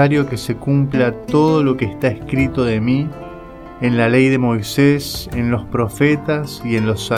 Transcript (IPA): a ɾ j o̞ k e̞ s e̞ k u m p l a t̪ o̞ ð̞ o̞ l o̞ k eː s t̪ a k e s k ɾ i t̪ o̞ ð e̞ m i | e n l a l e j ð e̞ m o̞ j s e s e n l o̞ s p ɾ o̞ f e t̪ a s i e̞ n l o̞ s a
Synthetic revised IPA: a ɾ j o̞ k e̞ s e̞ k u m p l a t̪ o̞ ð̞ o̞ l o̞ k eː s t̪ a e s k ɾ i t̪ o̞ ð e̞ m i | e n l a l e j ð e̞ m o̞ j s e s e n l o̞ s p ɾ o̞ f e t̪ a s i e̞ n l o̞ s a